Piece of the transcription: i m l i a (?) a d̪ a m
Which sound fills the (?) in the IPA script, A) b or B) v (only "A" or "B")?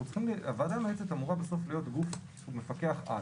B